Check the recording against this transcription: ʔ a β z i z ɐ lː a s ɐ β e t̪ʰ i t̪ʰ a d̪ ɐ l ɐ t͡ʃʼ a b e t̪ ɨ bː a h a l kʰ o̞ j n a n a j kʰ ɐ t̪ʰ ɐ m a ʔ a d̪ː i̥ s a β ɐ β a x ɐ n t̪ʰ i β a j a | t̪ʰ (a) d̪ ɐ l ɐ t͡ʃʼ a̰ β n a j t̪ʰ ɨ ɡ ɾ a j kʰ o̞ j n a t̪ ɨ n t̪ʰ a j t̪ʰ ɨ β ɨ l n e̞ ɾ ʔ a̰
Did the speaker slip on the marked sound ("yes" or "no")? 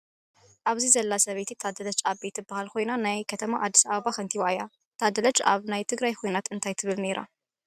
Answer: no